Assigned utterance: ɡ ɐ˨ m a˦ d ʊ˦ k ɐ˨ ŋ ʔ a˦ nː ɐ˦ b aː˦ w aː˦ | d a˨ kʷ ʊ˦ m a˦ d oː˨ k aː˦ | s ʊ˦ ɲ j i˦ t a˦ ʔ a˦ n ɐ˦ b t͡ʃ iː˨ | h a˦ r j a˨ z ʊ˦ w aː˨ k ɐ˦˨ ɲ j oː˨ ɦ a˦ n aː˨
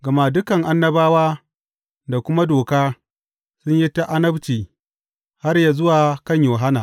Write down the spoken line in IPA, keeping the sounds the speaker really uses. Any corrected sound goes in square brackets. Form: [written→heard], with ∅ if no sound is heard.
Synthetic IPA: ɡ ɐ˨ m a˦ d ʊ˦ k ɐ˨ ŋ ʔ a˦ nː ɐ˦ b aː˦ w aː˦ | d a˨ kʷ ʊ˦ m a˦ d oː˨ k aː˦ | s ʊ˦ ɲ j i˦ t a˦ ʔ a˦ n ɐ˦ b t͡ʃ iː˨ | h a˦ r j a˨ z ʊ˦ w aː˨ k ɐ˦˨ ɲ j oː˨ ɦ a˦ n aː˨